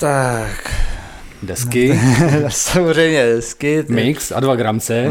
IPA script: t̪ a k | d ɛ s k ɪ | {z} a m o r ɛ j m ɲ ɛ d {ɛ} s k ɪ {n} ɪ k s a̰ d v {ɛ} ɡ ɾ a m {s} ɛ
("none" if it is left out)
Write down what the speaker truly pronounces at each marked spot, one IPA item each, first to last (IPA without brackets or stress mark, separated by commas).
s, ɛ, m, a, t͡s